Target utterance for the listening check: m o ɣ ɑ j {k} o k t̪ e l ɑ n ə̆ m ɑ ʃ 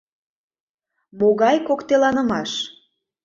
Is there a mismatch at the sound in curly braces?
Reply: no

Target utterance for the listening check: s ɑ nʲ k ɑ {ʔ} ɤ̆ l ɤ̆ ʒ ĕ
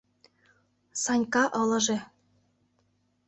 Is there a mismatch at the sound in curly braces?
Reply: no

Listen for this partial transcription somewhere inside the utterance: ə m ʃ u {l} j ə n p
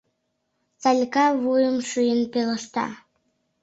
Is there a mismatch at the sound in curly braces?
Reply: yes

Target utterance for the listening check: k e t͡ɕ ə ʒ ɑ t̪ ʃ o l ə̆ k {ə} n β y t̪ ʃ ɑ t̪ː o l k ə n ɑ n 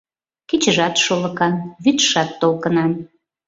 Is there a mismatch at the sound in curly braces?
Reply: yes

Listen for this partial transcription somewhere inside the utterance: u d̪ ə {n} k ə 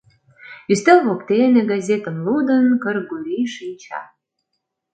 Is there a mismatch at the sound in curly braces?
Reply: no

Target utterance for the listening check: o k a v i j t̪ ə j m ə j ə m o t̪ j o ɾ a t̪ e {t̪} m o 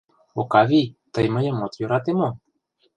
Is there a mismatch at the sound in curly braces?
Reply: yes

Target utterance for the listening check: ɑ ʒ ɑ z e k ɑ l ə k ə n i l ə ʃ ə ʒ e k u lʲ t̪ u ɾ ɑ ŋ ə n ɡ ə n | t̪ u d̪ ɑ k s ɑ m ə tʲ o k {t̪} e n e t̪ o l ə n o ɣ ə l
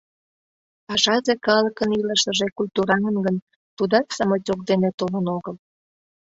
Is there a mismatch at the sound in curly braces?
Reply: yes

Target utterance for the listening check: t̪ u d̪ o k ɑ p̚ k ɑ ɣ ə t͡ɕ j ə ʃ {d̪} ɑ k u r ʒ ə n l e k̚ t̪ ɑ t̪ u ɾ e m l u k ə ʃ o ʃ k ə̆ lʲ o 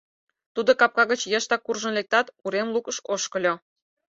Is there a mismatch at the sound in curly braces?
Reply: yes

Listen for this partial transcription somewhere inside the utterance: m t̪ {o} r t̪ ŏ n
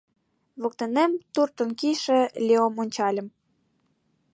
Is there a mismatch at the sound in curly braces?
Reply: yes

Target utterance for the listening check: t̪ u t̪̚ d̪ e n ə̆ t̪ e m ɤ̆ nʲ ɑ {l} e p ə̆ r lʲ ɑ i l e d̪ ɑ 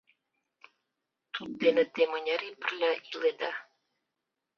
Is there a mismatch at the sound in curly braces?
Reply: yes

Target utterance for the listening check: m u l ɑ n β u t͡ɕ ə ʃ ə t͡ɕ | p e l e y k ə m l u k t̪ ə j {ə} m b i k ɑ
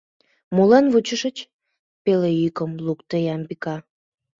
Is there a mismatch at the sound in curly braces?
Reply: yes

